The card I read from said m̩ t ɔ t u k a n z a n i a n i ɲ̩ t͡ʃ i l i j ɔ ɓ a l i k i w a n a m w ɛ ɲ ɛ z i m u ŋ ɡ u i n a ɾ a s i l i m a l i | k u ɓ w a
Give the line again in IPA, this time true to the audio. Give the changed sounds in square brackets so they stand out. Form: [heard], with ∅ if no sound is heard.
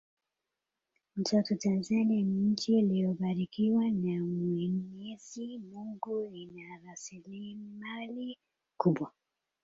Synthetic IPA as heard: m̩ t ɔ t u [t] a n z a n i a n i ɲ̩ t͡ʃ i l i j ɔ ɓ a [ɾ] i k i w a n a m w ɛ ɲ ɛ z i m u ŋ ɡ u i n a ɾ a s i l i m a l i | k u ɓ w a